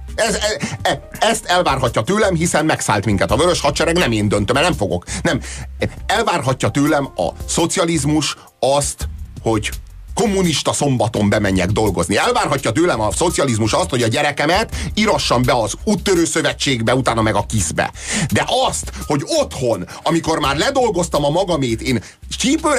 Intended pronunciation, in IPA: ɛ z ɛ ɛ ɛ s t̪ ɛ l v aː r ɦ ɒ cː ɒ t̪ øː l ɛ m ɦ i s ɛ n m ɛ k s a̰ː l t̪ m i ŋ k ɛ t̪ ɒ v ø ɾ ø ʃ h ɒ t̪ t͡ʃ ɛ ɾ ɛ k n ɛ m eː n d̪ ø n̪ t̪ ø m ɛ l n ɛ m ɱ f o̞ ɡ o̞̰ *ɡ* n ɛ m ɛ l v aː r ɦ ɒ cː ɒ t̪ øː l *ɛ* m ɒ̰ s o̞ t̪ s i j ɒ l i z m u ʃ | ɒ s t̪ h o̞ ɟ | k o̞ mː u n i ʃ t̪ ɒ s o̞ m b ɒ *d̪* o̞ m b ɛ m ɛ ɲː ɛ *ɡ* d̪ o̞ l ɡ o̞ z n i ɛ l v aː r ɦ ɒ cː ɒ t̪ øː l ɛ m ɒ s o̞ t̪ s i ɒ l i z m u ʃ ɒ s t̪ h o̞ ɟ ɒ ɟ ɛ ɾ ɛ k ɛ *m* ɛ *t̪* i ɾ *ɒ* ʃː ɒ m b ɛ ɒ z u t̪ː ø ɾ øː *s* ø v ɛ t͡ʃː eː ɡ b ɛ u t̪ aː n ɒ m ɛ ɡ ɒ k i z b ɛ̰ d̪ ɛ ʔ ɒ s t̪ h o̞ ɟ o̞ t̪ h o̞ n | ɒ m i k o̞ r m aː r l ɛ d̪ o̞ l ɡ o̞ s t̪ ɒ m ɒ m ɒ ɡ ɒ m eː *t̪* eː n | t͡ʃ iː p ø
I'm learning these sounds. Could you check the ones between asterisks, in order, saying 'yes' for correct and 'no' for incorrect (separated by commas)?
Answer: no, yes, no, yes, yes, yes, yes, yes, yes